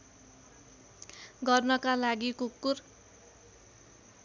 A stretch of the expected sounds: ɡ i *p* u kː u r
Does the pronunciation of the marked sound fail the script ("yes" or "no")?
yes